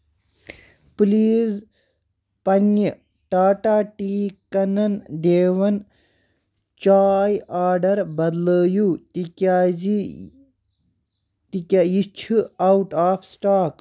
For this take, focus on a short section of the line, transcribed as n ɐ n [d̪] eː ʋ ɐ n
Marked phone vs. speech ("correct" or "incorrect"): correct